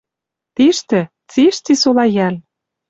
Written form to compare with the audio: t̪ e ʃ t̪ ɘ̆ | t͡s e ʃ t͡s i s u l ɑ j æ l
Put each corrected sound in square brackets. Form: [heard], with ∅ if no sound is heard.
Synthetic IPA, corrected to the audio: t̪ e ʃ t̪ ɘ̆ | t͡s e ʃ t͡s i s [o] l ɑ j æ l